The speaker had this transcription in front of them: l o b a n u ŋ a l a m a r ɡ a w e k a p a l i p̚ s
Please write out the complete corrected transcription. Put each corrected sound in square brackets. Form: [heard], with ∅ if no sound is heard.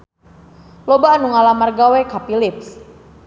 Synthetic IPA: l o b a n u ŋ a l a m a r ɡ a w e k a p [i] l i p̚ s